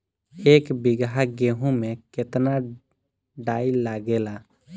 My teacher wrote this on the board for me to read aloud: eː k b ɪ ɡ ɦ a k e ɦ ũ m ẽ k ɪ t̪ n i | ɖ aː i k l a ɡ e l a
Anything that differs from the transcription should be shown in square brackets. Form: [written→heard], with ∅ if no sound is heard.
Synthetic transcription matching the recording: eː k b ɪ ɡ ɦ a [k→ɡ] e ɦ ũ m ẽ k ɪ t̪ n [i→a] | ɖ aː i [k→∅] l a ɡ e l a